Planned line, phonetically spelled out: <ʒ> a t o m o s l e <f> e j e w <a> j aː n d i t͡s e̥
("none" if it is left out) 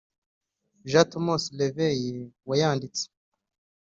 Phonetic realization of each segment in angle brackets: ʒ, v, a

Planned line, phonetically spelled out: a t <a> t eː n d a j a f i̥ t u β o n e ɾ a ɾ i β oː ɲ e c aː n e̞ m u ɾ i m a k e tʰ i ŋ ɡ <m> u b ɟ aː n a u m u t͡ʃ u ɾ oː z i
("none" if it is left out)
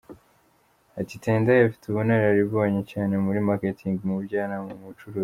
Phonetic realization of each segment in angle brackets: i, m

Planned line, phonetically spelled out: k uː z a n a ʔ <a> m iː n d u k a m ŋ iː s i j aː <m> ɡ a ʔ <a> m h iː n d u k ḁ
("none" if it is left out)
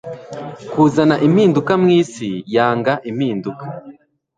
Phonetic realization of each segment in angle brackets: i, ŋ, i

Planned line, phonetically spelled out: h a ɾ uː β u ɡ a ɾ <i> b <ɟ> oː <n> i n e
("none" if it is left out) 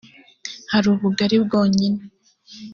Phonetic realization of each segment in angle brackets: i, ɡ, ɲ

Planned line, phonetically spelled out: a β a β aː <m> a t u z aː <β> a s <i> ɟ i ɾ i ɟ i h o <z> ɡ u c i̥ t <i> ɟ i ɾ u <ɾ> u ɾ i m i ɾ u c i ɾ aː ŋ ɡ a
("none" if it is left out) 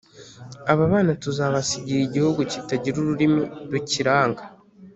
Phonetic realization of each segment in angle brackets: n, β, i, none, a, ɾ

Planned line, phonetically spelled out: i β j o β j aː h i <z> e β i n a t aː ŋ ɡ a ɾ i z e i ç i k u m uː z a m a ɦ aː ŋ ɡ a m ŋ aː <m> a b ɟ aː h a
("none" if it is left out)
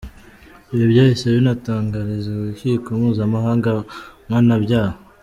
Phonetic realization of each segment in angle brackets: s, n

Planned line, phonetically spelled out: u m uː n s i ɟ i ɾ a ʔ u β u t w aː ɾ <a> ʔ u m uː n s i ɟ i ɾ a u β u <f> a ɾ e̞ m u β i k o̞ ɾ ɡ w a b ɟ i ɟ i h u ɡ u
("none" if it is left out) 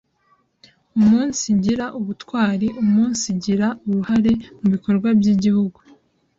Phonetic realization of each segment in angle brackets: i, h

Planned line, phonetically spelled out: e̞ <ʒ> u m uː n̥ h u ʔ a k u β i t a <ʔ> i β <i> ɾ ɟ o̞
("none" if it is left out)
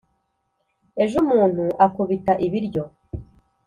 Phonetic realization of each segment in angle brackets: ʒ, ʔ, i

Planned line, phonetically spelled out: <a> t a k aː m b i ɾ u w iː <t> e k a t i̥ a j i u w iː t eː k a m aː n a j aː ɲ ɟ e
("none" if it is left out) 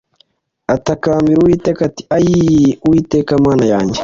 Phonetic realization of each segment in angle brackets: a, t

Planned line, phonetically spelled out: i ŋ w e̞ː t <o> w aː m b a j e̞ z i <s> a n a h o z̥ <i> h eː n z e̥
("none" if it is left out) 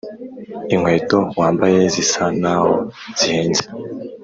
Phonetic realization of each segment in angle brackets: o, s, i

